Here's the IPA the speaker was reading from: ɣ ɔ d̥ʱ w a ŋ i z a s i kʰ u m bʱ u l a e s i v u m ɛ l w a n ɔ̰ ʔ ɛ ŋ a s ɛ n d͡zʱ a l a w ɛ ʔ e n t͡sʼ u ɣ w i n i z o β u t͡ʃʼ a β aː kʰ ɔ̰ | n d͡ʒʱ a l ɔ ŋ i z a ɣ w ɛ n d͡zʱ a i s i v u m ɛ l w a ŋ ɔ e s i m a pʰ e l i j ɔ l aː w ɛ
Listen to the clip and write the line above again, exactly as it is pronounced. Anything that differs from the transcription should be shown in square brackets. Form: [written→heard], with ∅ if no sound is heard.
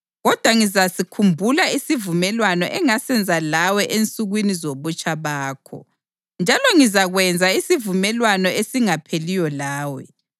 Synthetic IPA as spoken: ɣ ɔ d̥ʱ w a ŋ i z a s i kʰ u m bʱ u l a [e→i] s i v u m ɛ l w a n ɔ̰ ʔ ɛ ŋ a s ɛ n d͡zʱ a l a w ɛ ʔ e n t͡sʼ u ɣ w i n i z o β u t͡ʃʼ a β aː kʰ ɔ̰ | n d͡ʒʱ a l ɔ ŋ i z a ɣ w ɛ n d͡zʱ a i s i v u m ɛ l w a [ŋ→n] ɔ e s i [m→ŋ] a pʰ e l i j ɔ l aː w ɛ